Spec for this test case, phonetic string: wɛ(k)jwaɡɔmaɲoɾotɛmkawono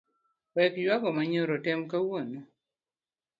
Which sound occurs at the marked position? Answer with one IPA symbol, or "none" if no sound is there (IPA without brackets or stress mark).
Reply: k